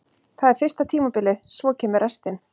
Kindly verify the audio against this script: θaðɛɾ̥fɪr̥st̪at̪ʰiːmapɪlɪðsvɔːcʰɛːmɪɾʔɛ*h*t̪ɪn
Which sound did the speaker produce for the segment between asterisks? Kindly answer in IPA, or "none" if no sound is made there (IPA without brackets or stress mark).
s